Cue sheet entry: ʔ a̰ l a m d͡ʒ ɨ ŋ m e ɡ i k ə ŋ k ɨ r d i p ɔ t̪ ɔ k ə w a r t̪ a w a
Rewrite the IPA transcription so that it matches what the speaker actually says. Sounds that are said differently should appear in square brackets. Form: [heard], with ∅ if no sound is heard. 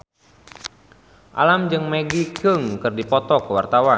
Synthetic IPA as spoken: ʔ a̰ l a m d͡ʒ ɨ ŋ m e ɡ i k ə ŋ k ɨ r d i p ɔ t̪ ɔ k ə w a r t̪ a w a